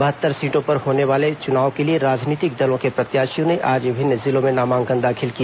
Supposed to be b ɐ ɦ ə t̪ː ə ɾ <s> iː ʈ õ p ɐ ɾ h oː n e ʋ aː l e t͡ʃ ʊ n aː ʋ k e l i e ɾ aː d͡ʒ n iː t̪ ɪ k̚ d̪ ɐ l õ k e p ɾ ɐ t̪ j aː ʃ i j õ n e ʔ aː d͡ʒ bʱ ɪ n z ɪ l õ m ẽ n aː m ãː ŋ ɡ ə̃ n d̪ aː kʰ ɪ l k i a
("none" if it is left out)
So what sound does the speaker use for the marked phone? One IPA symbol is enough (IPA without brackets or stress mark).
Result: s